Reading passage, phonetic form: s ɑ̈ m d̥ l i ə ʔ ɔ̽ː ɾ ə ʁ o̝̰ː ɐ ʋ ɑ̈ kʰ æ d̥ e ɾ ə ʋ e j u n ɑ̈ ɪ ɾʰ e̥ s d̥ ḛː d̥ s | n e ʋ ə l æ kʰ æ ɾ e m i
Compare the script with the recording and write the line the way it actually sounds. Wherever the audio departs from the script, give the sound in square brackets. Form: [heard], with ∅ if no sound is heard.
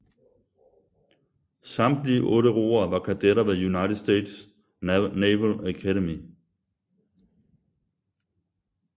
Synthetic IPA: s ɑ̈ m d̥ l i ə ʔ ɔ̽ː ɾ ə ʁ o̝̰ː ɐ ʋ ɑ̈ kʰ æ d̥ e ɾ [ɐ] ʋ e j u n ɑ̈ ɪ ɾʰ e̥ s d̥ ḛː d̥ s | n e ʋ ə l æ kʰ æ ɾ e m i